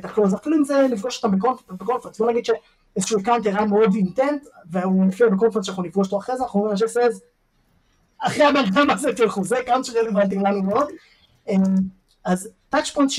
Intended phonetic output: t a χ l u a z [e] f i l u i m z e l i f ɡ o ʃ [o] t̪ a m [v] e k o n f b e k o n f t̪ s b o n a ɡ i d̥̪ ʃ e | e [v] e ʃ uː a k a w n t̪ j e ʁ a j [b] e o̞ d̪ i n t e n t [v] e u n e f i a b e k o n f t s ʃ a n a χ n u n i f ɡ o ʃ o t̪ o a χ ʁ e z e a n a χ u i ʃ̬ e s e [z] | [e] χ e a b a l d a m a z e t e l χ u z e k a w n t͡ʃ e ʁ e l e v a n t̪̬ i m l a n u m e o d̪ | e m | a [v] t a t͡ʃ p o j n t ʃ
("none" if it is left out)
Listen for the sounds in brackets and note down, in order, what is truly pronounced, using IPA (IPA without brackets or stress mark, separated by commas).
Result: a, o, b, z, m, v, z, a, z